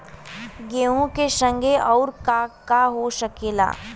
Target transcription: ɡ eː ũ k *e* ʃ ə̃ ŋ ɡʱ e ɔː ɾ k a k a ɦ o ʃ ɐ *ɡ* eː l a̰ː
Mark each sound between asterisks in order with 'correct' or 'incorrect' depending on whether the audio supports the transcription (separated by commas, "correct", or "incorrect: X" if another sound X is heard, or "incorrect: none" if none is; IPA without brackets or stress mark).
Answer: correct, incorrect: k